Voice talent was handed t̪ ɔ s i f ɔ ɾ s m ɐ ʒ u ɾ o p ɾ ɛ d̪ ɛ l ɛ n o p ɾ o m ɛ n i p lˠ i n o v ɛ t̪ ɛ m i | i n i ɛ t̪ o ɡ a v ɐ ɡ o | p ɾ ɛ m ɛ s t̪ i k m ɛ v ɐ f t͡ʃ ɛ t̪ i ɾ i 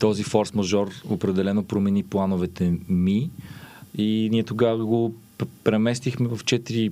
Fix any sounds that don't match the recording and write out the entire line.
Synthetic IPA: t̪ ɔ z i f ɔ ɾ s m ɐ ʒ ɔ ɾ o p ɾ ɛ d̪ ɛ l ɛ n o p ɾ o m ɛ n i p lˠ a n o v ɛ t̪ ɛ m i | i n i ɛ t̪ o ɡ a v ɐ ɡ o | p ɾ ɛ m ɛ s t̪ i x m ɛ v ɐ f t͡ʃ ɛ t̪ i ɾ i